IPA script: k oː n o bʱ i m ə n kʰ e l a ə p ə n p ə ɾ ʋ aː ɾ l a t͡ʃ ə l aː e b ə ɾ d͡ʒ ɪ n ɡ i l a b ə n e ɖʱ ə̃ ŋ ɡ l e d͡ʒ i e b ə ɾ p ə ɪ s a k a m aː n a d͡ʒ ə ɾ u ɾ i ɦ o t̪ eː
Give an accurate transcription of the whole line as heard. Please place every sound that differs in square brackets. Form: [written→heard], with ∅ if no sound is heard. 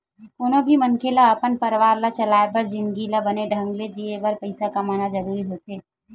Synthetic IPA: k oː n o bʱ i m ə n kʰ e l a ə p ə n p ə ɾ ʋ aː ɾ l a t͡ʃ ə l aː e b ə ɾ d͡ʒ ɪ n ɡ i l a b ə n e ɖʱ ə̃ ŋ ɡ l e d͡ʒ i e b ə ɾ p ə ɪ s a k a m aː n a d͡ʒ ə ɾ u ɾ i ɦ o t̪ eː

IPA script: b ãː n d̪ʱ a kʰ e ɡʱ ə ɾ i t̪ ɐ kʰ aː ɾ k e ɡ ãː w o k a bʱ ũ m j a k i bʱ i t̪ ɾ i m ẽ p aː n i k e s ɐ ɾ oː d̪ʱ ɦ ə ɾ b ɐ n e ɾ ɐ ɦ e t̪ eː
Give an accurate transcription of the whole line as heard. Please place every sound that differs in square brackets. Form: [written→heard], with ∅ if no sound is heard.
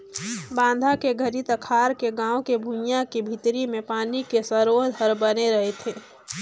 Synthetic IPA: b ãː n d̪ʱ a [kʰ→k] e ɡʱ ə ɾ i t̪ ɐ kʰ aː ɾ k e ɡ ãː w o k [a→e] bʱ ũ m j a k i bʱ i t̪ ɾ i m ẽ p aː n i k e s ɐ ɾ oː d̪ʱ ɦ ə ɾ b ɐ n e ɾ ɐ ɦ e [t̪→t̪ʰ] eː

